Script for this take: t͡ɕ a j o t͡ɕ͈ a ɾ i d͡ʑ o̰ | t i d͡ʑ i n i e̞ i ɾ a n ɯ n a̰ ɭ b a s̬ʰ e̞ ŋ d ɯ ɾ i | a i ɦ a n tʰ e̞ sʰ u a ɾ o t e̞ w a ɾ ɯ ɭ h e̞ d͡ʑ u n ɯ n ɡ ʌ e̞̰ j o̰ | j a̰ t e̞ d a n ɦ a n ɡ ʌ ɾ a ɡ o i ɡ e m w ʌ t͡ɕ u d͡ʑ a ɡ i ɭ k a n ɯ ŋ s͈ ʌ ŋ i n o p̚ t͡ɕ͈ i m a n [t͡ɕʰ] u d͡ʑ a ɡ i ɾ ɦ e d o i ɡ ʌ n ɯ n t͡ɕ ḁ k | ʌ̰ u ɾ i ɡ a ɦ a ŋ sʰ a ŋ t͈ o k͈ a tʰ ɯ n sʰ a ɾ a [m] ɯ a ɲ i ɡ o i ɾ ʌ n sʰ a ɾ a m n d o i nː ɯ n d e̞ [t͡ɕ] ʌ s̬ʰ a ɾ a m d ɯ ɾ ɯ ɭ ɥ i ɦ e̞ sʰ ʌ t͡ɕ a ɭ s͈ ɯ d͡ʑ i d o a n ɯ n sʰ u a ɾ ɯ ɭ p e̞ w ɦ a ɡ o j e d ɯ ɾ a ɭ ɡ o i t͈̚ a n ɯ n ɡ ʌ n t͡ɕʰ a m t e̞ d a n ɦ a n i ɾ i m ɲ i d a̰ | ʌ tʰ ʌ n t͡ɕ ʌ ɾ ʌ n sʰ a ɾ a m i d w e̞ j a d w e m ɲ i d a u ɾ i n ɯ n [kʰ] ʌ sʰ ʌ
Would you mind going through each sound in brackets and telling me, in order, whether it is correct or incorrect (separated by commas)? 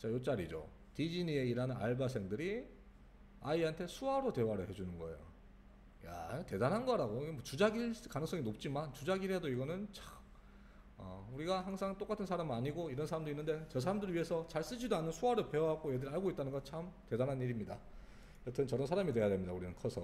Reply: incorrect, correct, correct, correct